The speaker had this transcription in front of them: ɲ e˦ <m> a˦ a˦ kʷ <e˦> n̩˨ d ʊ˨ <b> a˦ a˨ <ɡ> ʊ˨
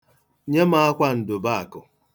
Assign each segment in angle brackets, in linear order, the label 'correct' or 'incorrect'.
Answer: correct, incorrect: a˦, correct, incorrect: k

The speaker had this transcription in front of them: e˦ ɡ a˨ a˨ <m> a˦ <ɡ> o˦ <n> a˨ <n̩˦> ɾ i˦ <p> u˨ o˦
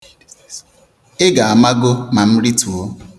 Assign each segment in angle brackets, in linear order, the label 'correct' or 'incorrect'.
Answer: correct, correct, incorrect: m, incorrect: m̩˦, incorrect: t

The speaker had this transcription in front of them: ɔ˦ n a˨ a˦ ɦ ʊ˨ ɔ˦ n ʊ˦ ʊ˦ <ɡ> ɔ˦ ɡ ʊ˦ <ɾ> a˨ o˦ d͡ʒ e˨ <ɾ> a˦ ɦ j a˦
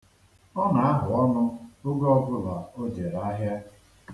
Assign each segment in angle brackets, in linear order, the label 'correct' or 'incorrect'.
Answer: correct, incorrect: l, correct

